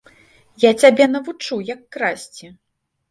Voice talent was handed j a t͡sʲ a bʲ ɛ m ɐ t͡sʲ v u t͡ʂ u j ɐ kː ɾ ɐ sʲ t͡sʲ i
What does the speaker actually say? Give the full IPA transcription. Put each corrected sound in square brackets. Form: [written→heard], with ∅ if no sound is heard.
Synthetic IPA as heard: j a t͡sʲ a bʲ ɛ [m→n] ɐ [t͡sʲ→∅] v u t͡ʂ u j ɐ kː ɾ [ɐ→a] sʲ t͡sʲ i